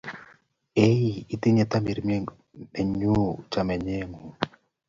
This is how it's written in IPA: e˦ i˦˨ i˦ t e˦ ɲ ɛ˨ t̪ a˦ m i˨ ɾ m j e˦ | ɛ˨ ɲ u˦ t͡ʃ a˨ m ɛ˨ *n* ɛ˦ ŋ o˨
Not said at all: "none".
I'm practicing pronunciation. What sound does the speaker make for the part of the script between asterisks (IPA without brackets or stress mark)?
ɲ